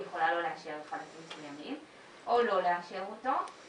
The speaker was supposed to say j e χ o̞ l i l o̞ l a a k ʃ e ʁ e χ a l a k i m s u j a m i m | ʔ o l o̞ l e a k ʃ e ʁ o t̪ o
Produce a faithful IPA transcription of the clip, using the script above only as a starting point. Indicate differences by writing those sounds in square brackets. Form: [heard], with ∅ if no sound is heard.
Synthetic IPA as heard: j e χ o̞ l [a] l o̞ l [e] a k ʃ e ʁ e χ a l a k i m s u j a m i m | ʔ o l o̞ l e a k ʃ e ʁ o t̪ o